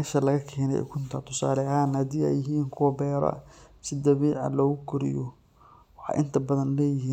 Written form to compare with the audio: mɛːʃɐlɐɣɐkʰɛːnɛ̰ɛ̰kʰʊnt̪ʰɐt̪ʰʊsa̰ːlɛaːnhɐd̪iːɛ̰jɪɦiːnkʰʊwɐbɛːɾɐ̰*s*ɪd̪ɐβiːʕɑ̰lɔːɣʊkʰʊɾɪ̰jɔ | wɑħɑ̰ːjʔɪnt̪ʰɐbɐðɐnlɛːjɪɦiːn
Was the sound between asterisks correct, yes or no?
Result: yes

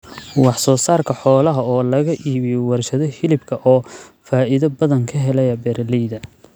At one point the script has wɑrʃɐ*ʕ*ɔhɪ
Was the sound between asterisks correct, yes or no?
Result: no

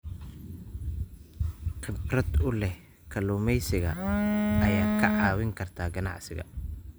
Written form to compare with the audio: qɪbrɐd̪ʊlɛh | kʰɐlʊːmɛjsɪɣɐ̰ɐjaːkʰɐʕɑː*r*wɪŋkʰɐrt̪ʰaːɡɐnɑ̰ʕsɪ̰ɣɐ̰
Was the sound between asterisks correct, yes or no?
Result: no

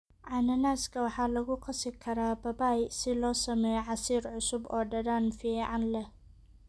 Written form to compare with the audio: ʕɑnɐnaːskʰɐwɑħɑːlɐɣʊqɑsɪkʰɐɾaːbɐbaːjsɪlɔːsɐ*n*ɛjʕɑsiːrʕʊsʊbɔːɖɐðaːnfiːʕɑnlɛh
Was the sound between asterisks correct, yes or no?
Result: no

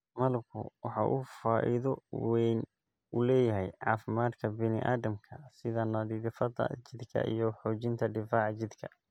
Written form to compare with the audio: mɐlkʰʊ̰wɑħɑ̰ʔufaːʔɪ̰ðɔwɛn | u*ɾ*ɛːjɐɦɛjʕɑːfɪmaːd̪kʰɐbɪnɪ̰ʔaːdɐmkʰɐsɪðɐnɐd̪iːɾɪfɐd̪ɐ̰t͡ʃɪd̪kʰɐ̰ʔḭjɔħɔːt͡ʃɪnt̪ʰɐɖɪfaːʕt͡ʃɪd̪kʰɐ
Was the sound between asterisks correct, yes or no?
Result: no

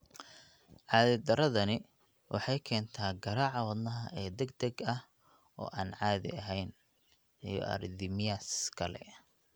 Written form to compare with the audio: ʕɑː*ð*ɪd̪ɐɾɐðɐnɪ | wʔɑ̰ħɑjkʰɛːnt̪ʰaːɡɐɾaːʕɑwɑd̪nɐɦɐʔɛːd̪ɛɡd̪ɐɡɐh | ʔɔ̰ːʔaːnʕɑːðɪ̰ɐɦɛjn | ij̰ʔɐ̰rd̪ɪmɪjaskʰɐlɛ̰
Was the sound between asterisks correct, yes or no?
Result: yes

